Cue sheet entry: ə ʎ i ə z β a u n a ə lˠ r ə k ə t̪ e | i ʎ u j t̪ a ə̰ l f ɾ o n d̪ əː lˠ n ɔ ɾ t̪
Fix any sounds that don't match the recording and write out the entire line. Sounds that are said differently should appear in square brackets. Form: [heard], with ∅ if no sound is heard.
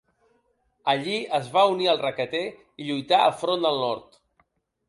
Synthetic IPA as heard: ə ʎ i ə z β a u n [i] ə lˠ r ə k ə t̪ e | i ʎ u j t̪ a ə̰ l f ɾ o n d̪ [ə] lˠ n ɔ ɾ t̪